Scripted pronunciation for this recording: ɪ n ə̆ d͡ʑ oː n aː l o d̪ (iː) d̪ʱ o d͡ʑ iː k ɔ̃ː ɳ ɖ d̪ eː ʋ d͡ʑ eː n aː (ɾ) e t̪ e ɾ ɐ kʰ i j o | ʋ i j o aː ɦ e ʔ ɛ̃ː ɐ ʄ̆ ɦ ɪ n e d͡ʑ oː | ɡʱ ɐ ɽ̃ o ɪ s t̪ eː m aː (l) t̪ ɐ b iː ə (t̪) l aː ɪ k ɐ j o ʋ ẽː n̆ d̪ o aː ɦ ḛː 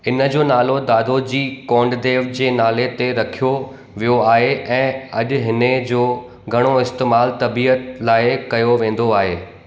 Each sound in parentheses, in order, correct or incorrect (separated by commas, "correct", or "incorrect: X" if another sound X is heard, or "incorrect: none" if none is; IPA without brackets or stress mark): incorrect: aː, incorrect: l, correct, correct